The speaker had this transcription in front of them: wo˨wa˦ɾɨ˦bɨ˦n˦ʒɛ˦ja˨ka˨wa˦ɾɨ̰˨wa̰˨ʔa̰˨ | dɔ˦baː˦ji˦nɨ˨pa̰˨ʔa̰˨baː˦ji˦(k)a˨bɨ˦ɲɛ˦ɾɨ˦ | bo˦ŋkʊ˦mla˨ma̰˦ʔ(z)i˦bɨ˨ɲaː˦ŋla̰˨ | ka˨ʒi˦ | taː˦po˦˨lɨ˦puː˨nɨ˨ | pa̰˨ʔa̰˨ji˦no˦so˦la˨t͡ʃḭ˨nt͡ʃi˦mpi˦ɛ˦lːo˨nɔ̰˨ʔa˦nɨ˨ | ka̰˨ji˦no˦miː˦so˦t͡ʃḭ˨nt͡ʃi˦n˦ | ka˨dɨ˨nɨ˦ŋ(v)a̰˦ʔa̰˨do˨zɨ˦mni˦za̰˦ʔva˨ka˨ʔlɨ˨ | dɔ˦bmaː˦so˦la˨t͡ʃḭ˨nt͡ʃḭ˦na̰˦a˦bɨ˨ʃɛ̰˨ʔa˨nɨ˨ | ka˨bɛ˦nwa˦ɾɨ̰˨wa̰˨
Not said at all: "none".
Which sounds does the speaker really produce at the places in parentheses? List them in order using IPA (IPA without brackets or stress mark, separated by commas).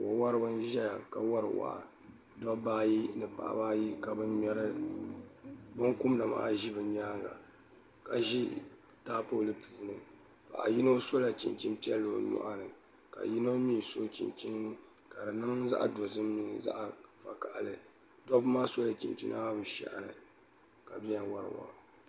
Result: k, ʒ, z